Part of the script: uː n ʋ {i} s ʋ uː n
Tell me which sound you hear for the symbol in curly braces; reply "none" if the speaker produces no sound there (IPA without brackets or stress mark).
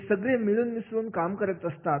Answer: i